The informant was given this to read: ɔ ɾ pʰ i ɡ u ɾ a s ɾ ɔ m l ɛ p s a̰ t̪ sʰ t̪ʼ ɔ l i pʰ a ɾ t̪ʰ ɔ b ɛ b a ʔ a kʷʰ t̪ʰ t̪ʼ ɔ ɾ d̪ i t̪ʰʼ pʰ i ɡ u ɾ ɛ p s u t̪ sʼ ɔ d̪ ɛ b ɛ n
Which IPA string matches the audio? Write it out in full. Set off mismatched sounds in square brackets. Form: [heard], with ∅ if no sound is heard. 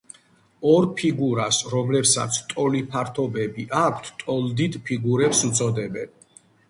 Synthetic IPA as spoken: ɔ ɾ pʰ i ɡ u ɾ a s ɾ ɔ m l ɛ p s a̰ t̪ sʰ t̪ʼ ɔ l i pʰ a ɾ t̪ʰ ɔ b ɛ b [i] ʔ a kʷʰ t̪ʰ t̪ʼ ɔ [l] d̪ i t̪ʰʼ pʰ i ɡ u ɾ ɛ p s u t̪ sʼ ɔ d̪ ɛ b ɛ n